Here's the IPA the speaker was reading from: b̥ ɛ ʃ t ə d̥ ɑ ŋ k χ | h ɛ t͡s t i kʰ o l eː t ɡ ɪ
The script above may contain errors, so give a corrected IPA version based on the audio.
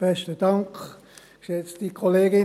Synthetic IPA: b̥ ɛ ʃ t ə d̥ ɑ ŋ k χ | ʃ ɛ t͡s t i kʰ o l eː ɡ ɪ